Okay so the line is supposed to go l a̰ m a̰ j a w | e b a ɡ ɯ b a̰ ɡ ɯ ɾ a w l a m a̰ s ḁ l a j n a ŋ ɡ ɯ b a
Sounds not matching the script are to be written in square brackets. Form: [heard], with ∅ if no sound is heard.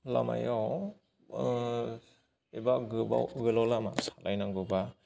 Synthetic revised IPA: l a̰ m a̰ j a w | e b a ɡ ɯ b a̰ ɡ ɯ [l] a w l a m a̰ s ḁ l a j n a ŋ ɡ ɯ b a

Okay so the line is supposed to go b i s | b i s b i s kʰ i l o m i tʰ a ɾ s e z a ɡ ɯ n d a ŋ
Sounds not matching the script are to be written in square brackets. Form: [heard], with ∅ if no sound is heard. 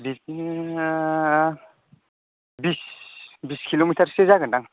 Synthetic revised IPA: b i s | b i s b i s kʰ i l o m i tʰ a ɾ s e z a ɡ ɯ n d a ŋ

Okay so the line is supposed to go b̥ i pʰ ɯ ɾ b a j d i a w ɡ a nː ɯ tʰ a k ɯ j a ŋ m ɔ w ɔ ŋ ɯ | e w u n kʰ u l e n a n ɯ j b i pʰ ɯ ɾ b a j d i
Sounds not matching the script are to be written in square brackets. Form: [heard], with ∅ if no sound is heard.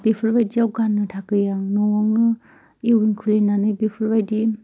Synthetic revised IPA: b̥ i pʰ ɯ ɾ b a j d i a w ɡ a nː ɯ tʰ a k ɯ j a ŋ [n] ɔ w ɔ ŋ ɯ | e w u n kʰ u l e n a n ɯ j b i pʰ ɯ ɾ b a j d i

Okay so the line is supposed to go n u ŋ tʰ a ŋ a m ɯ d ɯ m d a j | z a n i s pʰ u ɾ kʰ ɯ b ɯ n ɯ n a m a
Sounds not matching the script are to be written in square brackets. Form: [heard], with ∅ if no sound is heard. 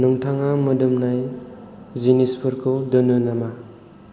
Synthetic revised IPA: n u ŋ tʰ a ŋ a m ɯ d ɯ m [n] a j | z [i] n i s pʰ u ɾ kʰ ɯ [d] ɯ n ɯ n a m a

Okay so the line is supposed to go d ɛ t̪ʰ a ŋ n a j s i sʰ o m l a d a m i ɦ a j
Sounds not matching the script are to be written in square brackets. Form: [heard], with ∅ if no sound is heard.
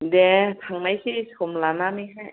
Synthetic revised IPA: d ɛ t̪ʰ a ŋ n a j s i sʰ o m l a [n] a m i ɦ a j

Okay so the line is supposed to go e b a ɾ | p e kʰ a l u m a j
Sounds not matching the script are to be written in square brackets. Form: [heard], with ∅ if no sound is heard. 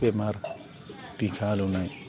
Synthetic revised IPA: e [m] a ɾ | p [i] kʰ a l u [n] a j

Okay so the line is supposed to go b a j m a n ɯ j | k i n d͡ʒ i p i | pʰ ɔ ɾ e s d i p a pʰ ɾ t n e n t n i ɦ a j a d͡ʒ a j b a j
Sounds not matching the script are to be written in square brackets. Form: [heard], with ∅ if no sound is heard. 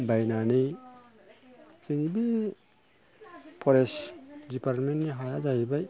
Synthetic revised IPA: b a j [n] a n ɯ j | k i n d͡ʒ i [b] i | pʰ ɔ ɾ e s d i p a [∅] ɾ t [m] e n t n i ɦ a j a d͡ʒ a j b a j

